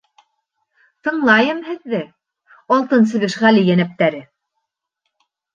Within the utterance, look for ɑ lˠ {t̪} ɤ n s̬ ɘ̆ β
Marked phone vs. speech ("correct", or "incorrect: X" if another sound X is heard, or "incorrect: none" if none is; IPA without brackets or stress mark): correct